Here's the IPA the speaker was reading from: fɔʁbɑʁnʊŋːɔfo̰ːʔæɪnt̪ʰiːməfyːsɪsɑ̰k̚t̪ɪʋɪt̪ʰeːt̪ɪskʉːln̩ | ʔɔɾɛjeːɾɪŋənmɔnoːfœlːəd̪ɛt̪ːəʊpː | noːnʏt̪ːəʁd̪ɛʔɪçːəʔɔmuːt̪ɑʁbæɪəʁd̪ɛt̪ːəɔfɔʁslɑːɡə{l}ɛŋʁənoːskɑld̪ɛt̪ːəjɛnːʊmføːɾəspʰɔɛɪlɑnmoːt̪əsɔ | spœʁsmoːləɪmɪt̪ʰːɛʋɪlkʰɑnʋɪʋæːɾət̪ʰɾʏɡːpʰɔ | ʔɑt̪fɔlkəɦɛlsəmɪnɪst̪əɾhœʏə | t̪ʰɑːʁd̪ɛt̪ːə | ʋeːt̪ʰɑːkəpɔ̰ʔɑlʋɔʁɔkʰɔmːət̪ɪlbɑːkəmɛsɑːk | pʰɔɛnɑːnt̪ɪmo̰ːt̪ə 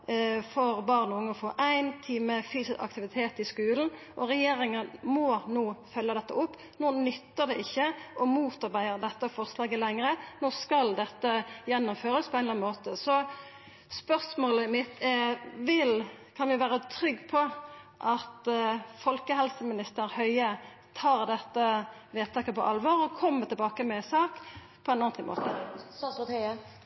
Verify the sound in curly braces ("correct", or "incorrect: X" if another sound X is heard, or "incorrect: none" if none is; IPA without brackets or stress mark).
correct